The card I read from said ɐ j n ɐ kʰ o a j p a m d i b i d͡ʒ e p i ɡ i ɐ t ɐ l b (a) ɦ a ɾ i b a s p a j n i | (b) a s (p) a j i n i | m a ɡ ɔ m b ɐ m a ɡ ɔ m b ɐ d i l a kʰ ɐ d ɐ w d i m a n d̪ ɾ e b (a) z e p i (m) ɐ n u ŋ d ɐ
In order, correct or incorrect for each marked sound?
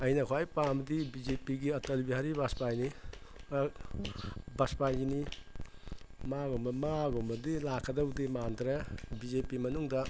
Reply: incorrect: i, correct, correct, incorrect: i, correct

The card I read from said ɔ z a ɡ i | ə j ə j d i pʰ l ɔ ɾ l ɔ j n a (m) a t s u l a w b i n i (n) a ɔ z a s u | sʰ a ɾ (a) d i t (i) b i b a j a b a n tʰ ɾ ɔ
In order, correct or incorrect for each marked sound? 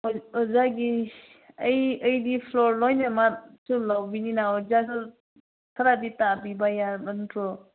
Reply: correct, correct, correct, incorrect: a

